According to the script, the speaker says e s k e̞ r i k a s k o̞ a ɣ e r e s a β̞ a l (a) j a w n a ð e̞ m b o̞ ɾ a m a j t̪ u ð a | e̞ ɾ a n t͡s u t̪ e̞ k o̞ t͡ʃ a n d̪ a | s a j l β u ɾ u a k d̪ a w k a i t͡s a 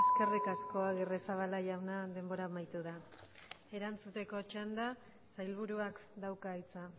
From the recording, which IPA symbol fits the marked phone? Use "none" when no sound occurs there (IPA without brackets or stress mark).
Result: a